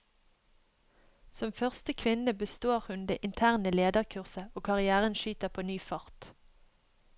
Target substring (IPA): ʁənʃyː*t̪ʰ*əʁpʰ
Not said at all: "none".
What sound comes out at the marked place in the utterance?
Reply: t̪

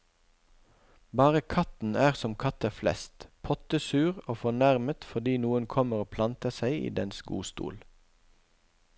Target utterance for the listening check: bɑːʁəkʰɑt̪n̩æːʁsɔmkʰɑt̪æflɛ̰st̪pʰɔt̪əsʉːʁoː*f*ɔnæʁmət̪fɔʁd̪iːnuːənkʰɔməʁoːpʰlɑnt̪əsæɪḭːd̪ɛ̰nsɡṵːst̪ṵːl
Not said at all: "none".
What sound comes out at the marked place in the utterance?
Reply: f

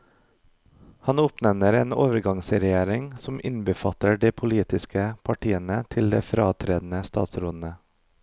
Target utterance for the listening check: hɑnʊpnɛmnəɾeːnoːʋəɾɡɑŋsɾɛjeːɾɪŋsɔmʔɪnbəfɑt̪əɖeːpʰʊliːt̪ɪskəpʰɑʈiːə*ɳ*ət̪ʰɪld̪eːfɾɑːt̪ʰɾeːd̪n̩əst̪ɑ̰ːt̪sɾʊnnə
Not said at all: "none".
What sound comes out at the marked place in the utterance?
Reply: n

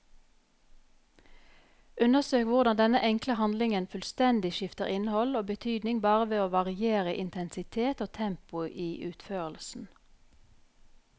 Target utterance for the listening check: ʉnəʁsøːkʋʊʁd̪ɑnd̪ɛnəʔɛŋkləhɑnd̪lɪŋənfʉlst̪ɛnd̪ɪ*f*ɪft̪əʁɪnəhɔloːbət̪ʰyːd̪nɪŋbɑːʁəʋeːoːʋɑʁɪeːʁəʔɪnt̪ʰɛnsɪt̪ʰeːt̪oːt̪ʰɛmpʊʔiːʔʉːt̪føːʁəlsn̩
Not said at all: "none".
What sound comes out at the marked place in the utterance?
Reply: ʃ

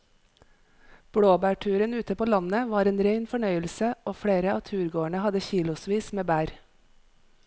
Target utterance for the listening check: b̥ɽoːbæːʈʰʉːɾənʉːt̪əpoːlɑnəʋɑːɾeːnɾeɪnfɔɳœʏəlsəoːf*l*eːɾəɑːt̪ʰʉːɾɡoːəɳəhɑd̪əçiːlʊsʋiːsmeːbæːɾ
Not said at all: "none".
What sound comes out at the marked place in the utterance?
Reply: ɽ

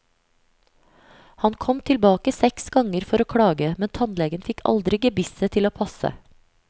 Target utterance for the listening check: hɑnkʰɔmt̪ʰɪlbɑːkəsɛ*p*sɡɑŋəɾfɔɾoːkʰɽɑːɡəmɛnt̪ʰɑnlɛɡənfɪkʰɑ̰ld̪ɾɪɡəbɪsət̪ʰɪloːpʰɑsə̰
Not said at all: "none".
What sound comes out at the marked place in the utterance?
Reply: k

